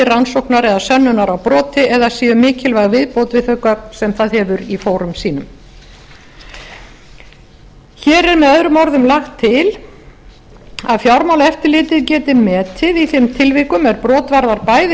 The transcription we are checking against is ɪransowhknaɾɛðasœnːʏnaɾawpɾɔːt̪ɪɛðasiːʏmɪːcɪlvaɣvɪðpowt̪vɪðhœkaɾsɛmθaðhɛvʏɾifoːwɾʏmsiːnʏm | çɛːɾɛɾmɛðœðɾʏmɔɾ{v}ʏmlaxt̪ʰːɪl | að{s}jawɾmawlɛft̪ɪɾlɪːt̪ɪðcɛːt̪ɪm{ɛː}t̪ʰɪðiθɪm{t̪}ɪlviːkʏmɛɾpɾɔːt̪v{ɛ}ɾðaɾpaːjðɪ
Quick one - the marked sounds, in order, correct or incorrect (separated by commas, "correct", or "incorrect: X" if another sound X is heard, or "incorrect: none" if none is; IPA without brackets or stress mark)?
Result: incorrect: ð, incorrect: f, correct, incorrect: t̪ʰ, incorrect: a